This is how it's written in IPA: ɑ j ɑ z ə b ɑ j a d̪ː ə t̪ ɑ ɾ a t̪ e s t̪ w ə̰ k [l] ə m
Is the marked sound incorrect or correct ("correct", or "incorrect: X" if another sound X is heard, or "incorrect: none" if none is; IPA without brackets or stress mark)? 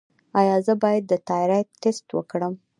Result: incorrect: ɽ